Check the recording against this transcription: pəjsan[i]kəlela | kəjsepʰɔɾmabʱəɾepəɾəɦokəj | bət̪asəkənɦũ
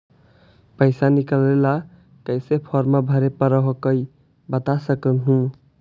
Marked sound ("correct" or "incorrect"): correct